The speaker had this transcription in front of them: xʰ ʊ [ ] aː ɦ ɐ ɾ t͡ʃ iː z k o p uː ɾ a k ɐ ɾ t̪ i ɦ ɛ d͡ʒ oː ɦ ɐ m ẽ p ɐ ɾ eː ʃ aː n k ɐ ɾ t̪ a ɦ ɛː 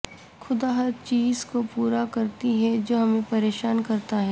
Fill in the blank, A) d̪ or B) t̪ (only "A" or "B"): A